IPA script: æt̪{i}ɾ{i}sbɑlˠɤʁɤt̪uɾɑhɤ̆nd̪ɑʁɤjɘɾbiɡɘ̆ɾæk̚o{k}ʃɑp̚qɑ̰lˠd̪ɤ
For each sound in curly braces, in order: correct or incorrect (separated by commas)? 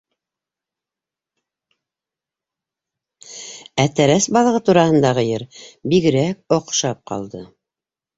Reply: incorrect, incorrect, incorrect